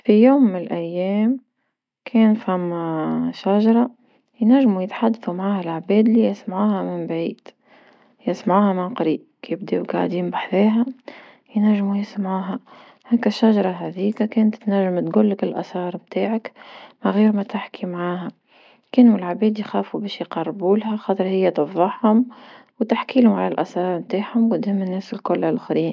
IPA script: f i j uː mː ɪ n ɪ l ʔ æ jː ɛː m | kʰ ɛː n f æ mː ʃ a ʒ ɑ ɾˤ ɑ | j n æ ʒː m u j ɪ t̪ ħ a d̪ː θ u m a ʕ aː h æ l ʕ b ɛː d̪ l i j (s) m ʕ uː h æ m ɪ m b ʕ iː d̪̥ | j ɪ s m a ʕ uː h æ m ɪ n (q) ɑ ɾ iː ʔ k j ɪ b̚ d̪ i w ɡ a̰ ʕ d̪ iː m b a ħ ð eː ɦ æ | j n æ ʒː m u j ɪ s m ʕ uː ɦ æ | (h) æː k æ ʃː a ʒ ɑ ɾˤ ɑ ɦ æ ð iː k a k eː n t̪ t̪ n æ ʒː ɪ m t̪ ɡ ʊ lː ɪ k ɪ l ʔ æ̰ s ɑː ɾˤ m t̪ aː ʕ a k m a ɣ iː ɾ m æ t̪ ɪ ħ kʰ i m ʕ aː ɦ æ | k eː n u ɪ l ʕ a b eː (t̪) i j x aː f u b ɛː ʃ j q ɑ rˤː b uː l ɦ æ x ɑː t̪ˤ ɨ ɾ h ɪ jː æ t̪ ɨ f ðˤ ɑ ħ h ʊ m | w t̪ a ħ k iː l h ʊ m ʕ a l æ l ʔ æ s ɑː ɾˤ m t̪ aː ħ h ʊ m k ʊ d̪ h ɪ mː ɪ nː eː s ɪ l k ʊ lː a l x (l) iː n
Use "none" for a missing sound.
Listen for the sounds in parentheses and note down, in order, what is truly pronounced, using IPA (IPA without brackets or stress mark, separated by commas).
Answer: s, q, h, d̪, ɾ